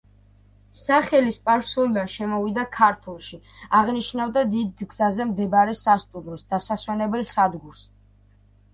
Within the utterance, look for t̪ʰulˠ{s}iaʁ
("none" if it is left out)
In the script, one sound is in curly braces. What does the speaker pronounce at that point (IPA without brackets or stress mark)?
ʃ